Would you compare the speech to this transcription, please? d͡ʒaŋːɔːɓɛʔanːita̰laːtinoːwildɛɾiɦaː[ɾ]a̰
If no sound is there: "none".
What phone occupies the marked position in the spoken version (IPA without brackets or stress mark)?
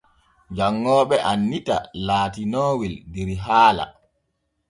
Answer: l